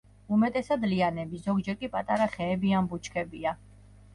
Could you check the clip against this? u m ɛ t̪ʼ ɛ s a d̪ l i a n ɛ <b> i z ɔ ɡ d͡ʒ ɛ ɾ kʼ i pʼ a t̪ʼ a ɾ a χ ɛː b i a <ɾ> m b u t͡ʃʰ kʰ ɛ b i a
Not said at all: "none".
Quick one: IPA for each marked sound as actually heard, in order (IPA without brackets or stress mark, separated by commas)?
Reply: b, none